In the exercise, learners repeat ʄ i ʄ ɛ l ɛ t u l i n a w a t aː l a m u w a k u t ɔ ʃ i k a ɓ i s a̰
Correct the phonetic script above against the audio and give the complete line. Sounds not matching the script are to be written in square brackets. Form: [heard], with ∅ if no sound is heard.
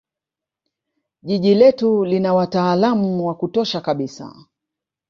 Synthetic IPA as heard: ʄ i ʄ [i] l ɛ t u l i n a w a t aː l a m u w a k u t ɔ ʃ [a] k a ɓ i s a̰